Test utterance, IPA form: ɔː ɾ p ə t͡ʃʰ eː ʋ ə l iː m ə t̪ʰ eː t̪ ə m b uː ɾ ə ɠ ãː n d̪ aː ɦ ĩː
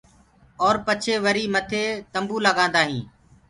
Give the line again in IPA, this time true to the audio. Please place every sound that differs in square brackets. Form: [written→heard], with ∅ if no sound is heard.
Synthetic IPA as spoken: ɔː ɾ p ə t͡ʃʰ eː ʋ ə [l→ɾ] iː m ə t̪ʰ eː t̪ ə m b uː [ɾ→l] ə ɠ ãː n d̪ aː ɦ ĩː

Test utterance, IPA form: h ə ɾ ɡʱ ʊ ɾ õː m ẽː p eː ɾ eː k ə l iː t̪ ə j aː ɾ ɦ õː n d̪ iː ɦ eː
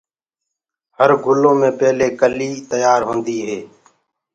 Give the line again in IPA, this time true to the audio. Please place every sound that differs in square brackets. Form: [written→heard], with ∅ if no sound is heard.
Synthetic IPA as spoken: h ə ɾ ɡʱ ʊ [ɾ→l] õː m ẽː p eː [ɾ→l] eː k ə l iː t̪ ə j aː ɾ ɦ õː n d̪ iː ɦ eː

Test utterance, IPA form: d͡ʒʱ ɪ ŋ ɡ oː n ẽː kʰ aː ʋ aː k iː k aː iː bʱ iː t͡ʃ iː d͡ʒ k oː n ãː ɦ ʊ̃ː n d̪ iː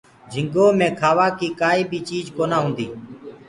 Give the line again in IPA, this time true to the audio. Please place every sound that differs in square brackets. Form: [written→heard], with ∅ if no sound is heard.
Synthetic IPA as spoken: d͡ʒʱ ɪ ŋ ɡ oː [n→m] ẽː kʰ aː ʋ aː k iː k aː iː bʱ iː t͡ʃ iː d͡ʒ k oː n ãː ɦ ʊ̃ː n d̪ iː

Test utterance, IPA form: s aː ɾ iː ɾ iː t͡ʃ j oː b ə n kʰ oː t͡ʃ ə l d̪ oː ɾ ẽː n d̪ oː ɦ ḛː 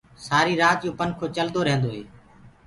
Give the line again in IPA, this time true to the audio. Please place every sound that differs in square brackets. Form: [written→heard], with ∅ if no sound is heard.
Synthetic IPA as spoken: s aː ɾ iː ɾ [iː→aː] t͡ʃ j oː [b→p] ə n kʰ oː t͡ʃ ə l d̪ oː ɾ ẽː n d̪ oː ɦ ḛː

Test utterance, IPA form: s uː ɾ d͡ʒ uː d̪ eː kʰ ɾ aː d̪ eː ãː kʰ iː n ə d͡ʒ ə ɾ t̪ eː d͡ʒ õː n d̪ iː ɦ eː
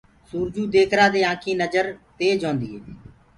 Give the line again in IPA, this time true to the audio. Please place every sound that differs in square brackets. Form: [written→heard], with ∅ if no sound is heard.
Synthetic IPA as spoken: s uː ɾ d͡ʒ uː d̪ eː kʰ ɾ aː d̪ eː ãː kʰ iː n ə d͡ʒ ə ɾ t̪ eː d͡ʒ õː n d̪ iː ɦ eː

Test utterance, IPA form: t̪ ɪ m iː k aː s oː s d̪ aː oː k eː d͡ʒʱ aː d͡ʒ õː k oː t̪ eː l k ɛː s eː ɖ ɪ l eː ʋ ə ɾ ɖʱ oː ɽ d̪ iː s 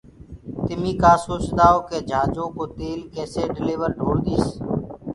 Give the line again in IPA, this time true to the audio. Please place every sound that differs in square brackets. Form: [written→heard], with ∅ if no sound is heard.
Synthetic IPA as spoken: t̪ ɪ m iː k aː s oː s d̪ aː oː k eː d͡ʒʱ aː d͡ʒ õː k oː t̪ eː l k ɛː s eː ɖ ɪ l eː ʋ ə ɾ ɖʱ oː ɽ d̪ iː s

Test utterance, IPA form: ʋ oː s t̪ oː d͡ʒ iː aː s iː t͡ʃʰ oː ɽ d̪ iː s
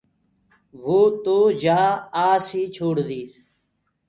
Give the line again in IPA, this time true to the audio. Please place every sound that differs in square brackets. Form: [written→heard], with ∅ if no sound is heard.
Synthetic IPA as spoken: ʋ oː [s→∅] t̪ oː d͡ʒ [iː→aː] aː s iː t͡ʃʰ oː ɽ d̪ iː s

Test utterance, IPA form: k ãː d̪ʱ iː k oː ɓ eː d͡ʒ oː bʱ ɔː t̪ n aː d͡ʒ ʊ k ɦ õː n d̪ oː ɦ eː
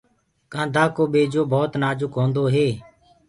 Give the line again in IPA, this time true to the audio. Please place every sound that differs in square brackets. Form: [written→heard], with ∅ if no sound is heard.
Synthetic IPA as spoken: k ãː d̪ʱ [iː→aː] k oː ɓ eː d͡ʒ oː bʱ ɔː t̪ n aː d͡ʒ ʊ k ɦ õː n d̪ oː ɦ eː

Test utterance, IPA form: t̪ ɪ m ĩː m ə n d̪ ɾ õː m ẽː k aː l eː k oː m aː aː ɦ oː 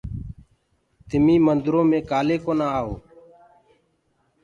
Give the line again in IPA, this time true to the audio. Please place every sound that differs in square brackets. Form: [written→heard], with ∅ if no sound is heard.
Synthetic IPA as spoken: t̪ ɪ m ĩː m ə n d̪ ɾ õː m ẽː k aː l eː k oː [m→n] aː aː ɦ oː

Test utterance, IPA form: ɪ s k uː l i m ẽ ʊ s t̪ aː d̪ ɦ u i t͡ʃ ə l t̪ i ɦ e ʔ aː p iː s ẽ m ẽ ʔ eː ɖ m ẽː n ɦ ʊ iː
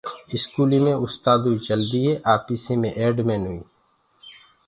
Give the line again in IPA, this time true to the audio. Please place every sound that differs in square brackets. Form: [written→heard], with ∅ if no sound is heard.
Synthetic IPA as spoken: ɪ s k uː l i m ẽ ʊ s t̪ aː d̪ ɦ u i t͡ʃ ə l [t̪→d̪] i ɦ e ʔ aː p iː s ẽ m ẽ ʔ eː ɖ m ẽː n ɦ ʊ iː

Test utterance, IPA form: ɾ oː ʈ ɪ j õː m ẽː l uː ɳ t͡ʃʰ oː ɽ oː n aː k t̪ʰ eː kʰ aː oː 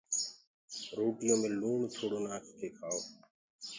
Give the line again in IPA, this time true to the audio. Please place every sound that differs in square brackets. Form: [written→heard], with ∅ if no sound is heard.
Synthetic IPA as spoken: ɾ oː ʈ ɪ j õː m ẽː l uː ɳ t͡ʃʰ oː ɽ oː n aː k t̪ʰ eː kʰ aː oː

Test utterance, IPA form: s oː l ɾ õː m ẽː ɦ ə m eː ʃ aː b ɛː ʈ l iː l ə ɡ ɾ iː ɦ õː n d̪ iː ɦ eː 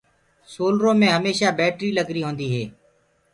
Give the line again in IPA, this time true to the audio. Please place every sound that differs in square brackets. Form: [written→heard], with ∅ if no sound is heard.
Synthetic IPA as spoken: s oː l ɾ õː m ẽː ɦ ə m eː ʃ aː b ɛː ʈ [l→ɾ] iː l ə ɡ ɾ iː ɦ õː n d̪ iː ɦ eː

